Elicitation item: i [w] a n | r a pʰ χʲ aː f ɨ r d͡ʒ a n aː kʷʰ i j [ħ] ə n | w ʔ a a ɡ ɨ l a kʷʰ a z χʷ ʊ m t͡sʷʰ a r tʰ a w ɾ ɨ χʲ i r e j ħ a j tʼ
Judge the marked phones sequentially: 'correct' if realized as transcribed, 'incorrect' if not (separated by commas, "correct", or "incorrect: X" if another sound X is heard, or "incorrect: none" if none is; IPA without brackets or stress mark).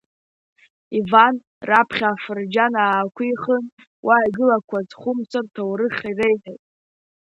incorrect: v, incorrect: χ